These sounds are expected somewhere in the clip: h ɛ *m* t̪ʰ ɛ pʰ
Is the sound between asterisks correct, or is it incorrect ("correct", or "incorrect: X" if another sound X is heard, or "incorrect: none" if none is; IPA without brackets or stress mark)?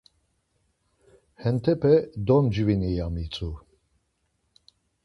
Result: incorrect: n